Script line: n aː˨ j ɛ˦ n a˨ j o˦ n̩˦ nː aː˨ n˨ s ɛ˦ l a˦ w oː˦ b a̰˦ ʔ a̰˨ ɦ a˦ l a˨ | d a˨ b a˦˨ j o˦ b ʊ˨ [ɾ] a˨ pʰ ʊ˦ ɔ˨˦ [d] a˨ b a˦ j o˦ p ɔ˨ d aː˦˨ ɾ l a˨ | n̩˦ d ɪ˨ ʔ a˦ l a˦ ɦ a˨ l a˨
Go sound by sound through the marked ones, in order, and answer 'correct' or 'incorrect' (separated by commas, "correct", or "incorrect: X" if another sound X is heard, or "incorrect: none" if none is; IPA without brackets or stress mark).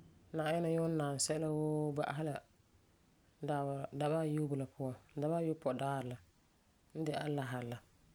incorrect: l, correct